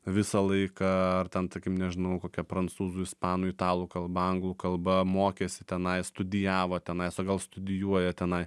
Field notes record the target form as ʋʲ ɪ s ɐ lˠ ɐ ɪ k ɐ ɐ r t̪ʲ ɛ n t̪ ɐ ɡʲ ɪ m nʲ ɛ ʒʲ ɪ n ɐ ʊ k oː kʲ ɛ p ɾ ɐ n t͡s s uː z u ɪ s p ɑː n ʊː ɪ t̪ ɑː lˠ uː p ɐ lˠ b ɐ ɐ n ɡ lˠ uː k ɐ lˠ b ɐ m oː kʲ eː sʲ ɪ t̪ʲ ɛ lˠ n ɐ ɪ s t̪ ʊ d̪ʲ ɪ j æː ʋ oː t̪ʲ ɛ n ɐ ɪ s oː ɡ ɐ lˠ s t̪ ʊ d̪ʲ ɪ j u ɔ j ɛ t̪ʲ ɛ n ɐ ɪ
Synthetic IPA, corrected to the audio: ʋʲ ɪ s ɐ lˠ ɐ ɪ k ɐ ɐ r t̪ʲ ɛ n t̪ ɐ kʲ ɪ m nʲ ɛ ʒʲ ɪ n ɐ ʊ k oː kʲ ɛ p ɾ ɐ n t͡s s uː z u ɪ s p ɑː n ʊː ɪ t̪ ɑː lˠ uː k ɐ lˠ b ɐ ɐ ŋ ɡ lˠ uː k ɐ lˠ b ɐ m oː kʲ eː sʲ ɪ t̪ʲ ɛ n ɐ ɪ s t̪ ʊ d̪ʲ ɪ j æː ʋ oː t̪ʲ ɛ n ɐ ɪ s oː ɡ ɐ lˠ s t̪ ʊ d̪ʲ ɪ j u ɔ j ɛ t̪ʲ ɛ n ɐ ɪ